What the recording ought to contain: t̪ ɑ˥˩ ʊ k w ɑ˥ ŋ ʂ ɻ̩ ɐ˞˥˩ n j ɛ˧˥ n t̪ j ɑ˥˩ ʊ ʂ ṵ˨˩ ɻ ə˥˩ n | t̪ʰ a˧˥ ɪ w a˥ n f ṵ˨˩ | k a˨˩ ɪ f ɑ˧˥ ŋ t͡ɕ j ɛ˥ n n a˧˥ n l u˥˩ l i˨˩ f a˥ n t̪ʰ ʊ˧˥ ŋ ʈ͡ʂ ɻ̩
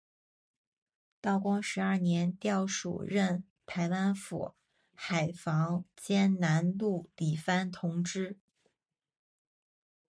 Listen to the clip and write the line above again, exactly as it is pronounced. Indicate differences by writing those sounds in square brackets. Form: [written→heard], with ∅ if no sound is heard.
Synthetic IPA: t̪ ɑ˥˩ ʊ k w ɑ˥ ŋ ʂ ɻ̩ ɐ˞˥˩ n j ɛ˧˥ n t̪ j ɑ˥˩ ʊ ʂ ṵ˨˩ ɻ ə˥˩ n | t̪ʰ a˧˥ ɪ w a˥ n f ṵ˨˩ | [k→x] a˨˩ ɪ f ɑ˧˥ ŋ t͡ɕ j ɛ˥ n n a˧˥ n l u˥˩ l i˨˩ f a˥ n t̪ʰ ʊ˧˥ ŋ ʈ͡ʂ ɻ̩